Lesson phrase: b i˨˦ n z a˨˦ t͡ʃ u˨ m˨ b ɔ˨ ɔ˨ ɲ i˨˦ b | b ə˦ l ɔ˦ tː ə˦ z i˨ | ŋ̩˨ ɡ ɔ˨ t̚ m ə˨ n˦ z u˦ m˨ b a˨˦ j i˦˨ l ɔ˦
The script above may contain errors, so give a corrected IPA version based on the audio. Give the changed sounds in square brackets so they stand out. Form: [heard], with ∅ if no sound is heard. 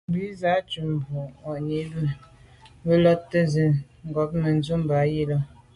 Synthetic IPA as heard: b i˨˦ [∅] z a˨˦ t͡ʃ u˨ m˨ b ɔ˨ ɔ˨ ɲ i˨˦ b | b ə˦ l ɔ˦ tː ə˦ z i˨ | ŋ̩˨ ɡ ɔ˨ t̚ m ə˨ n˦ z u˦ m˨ b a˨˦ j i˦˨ l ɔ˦